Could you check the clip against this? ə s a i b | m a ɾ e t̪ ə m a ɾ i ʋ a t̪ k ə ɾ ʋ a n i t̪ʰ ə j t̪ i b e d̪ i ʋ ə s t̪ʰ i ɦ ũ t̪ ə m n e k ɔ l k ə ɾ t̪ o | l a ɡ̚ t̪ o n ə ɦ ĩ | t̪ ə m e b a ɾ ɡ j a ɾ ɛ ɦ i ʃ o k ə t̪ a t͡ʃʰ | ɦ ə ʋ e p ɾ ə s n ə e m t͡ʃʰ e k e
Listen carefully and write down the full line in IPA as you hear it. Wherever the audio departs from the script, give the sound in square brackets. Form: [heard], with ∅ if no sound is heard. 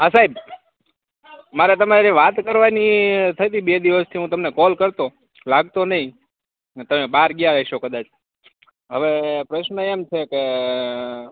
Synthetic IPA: ə s a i b | m a ɾ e t̪ ə m a ɾ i ʋ a t̪ k ə ɾ ʋ a n i t̪ʰ ə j t̪ i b e d̪ i ʋ ə s t̪ʰ i ɦ ũ t̪ ə m n e k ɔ l k ə ɾ t̪ o | l a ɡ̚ t̪ o n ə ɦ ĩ | t̪ ə m e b a ɾ ɡ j a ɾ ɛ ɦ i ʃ o k ə [d̪] a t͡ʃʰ | ɦ ə ʋ e p ɾ ə [ʃ] n ə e m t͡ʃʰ e k e